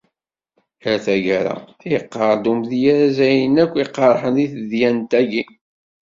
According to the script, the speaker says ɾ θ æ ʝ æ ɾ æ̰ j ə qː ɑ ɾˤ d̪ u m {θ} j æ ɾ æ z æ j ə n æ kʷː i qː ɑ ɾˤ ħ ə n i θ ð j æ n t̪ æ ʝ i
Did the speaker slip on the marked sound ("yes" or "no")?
yes